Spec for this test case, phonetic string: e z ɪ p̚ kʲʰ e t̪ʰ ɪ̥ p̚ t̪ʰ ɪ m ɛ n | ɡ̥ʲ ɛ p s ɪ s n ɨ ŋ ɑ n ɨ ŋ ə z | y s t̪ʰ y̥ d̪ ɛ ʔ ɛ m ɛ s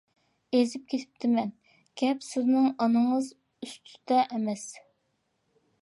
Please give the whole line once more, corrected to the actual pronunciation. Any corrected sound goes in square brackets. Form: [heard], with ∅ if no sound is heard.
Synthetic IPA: e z ɪ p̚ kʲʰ e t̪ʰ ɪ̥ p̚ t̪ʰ ɪ m ɛ n | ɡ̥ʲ ɛ p s ɪ [z] n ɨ ŋ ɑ n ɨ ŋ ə z | y s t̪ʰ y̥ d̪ ɛ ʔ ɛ m ɛ s